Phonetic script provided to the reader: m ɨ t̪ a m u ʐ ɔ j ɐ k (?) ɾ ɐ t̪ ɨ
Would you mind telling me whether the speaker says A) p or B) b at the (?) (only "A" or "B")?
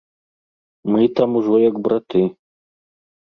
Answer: B